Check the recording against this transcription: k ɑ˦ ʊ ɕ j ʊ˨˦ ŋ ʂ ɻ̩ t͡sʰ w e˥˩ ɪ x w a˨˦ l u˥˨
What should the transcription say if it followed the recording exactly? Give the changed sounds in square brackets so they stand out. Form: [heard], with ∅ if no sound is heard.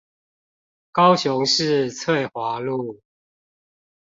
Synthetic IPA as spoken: k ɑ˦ ʊ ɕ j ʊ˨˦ ŋ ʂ ɻ̩ t͡sʰ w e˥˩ ɪ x w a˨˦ l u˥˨